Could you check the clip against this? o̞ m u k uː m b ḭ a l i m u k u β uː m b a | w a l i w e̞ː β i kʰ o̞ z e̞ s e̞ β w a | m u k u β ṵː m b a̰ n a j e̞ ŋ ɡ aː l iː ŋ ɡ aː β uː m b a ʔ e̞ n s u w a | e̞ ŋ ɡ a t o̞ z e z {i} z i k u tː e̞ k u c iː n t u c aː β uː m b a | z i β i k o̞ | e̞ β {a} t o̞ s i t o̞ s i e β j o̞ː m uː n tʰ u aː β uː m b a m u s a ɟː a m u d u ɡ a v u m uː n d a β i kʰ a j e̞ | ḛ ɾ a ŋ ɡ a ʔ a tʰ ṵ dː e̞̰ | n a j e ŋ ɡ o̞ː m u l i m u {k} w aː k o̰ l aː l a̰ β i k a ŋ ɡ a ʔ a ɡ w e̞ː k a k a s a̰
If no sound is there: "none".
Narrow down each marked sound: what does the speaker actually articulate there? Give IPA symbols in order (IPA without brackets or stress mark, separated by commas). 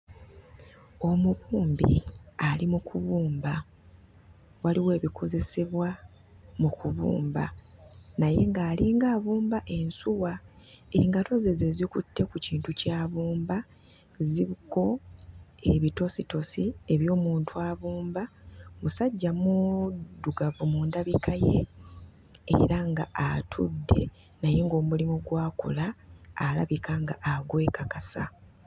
e, i, ɡ